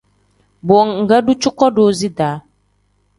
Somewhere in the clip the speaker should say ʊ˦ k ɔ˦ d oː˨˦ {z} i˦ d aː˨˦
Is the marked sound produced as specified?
yes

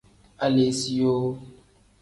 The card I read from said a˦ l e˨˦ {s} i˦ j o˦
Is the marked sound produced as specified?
yes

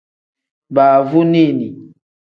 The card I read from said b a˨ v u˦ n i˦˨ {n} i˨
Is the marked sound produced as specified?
yes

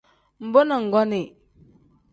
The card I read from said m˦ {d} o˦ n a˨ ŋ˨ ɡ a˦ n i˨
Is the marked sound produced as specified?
no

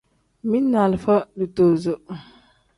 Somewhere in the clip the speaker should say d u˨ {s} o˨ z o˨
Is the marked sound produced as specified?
no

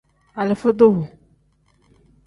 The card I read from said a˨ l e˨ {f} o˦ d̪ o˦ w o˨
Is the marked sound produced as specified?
yes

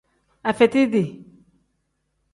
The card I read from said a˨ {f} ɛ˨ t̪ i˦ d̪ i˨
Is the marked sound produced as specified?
yes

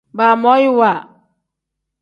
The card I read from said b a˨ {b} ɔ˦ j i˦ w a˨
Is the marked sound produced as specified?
no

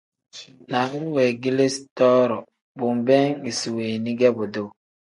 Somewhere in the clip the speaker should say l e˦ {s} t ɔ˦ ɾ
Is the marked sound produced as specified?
yes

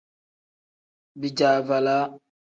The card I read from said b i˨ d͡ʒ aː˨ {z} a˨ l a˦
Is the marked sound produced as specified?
no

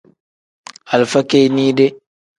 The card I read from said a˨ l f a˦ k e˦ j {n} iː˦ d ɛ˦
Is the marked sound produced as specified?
yes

